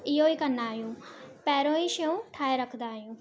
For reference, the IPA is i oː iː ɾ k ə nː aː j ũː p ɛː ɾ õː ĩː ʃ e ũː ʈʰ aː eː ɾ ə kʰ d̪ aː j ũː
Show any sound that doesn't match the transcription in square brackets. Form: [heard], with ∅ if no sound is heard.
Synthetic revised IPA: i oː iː [∅] k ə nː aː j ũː p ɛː ɾ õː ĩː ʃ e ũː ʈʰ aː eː ɾ ə kʰ d̪ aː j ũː